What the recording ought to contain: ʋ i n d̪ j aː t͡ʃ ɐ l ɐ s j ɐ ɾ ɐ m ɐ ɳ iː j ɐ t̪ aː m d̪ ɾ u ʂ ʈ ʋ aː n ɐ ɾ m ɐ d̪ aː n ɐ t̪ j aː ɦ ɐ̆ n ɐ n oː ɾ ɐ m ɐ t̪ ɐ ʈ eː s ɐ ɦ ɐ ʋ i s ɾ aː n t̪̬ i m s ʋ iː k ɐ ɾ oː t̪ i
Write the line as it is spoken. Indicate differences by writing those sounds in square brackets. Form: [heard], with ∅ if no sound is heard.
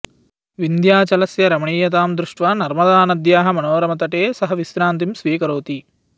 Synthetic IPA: ʋ i n d̪ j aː t͡ʃ ɐ l ɐ s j ɐ ɾ ɐ m ɐ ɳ iː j ɐ t̪ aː m d̪ ɾ u ʂ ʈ ʋ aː n ɐ ɾ m ɐ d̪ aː n ɐ [d̪] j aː ɦ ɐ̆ [m] ɐ n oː ɾ ɐ m ɐ t̪ ɐ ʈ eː s ɐ ɦ ɐ ʋ i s ɾ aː n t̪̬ i m s ʋ iː k ɐ ɾ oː t̪ i